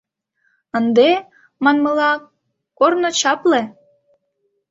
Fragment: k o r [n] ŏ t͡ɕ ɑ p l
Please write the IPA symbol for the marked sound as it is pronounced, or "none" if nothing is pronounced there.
n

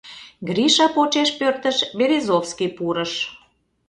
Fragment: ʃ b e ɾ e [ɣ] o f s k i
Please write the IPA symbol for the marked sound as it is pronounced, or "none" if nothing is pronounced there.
z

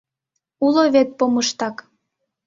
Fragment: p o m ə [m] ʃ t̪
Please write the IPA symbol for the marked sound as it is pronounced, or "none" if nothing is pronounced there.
none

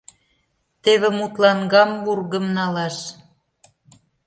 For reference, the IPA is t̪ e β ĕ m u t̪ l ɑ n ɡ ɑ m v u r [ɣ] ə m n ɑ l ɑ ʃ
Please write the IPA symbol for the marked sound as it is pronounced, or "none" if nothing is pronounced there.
ɣ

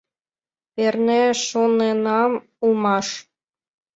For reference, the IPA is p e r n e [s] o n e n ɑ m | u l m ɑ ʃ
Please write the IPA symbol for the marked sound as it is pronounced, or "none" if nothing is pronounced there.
ʃ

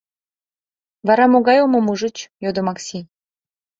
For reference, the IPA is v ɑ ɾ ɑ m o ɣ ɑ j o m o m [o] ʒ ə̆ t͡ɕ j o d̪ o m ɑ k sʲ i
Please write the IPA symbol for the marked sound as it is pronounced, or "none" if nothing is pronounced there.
u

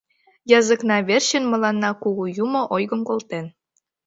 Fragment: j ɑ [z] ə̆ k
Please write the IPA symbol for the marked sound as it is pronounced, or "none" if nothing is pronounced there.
z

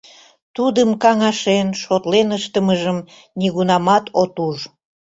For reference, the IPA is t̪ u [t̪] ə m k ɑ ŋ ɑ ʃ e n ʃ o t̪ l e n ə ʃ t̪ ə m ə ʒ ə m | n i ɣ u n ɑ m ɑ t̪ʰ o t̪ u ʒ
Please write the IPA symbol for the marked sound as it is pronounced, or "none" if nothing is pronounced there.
d̪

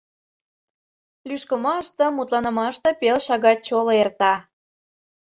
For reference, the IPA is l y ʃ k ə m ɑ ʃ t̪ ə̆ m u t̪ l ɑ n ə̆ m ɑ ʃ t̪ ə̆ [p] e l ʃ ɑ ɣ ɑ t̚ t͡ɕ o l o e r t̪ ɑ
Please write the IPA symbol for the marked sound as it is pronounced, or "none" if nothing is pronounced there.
p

